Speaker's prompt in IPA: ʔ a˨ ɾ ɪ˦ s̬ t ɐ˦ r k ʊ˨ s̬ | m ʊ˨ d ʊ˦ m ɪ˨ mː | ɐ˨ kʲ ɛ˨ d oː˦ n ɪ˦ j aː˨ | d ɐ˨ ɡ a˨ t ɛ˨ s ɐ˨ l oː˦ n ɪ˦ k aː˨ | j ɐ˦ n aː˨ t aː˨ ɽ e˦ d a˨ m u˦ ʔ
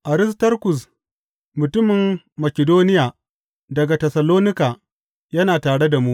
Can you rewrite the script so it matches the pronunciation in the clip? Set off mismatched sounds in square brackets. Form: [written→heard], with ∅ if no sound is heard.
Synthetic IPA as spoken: ʔ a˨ ɾ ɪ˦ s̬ t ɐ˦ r k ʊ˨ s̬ | m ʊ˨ [d→t] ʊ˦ m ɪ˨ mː | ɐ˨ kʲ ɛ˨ d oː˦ n ɪ˦ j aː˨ | d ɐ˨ ɡ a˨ t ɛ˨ s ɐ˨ l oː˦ n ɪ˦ k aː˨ | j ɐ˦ n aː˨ t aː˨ ɽ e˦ d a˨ m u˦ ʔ